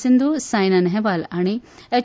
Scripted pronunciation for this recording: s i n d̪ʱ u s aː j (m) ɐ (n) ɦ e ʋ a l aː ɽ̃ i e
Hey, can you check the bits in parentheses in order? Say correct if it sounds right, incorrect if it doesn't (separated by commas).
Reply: incorrect, correct